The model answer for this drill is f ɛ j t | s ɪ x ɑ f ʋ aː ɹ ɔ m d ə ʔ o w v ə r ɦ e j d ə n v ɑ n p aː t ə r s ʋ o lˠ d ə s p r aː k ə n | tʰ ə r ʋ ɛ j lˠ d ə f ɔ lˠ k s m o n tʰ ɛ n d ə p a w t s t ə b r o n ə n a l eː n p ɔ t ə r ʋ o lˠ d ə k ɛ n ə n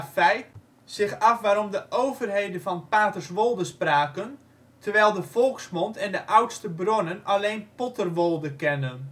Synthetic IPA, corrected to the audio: f ɛ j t | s ɪ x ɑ f ʋ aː ɾ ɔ m d ə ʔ o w v ə r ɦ e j d ə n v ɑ n p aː t ə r s ʋ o lˠ d ə s p r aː k ə n | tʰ ə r ʋ ɛ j lˠ d ə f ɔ lˠ k s m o n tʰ ɛ n d ə ʔ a w t s t ə b r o n ə n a l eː n p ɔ t ə r ʋ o lˠ d ə k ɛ n ə n